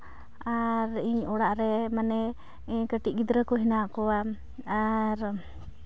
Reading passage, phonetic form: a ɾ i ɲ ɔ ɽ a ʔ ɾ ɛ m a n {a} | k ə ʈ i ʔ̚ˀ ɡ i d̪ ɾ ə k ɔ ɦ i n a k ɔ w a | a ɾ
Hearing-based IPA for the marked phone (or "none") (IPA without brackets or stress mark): ɛ